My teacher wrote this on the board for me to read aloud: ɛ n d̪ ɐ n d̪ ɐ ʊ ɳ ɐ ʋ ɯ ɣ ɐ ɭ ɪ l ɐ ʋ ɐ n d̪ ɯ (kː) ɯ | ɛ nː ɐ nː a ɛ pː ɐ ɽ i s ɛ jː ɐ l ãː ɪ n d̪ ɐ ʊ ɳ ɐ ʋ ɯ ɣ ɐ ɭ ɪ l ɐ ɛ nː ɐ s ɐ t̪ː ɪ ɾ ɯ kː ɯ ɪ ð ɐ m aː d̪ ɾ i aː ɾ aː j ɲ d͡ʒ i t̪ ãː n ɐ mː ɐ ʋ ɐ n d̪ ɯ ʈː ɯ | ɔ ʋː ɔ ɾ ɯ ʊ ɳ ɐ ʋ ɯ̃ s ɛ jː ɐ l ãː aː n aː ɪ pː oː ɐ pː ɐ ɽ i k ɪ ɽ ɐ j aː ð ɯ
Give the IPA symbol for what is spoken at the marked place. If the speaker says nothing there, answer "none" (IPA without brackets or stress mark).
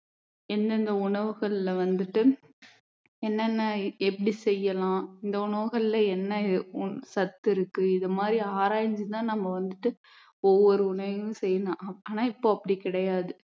ʈː